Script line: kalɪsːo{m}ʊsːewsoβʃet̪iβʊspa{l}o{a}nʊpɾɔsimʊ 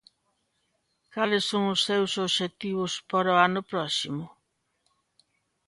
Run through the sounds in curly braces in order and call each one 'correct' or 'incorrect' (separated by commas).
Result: incorrect, incorrect, correct